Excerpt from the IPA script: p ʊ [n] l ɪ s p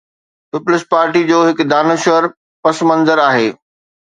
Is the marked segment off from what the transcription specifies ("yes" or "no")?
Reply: yes